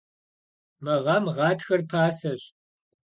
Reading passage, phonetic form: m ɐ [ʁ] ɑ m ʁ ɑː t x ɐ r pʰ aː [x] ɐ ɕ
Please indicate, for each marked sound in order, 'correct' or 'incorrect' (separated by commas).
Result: correct, incorrect